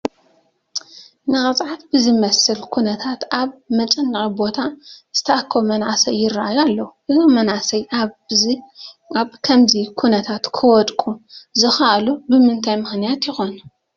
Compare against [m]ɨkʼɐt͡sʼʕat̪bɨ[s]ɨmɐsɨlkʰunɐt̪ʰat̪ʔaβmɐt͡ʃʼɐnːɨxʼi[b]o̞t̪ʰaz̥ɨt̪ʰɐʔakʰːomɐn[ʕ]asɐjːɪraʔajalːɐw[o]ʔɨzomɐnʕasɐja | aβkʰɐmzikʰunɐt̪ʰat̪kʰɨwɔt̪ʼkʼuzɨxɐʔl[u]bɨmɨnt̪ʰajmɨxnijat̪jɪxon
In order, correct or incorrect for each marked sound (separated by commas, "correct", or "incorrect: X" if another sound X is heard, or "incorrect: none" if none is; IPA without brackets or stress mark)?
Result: incorrect: n, incorrect: z, correct, correct, incorrect: u, correct